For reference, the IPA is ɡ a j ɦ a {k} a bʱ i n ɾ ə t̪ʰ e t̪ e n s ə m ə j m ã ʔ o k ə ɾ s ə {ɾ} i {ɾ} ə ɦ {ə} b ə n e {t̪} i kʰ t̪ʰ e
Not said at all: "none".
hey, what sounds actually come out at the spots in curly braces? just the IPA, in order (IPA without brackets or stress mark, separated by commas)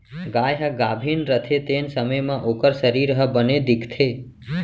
ɡ, ɾ, ɾ, ə, d̪